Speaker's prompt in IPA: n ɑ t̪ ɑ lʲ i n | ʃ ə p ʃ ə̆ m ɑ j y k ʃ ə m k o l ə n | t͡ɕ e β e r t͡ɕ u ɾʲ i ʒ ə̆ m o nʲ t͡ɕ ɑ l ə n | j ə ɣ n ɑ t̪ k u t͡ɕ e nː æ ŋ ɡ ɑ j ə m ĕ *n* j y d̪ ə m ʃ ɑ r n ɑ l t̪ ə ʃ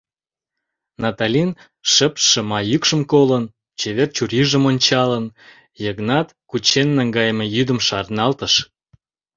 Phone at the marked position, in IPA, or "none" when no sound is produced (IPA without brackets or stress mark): none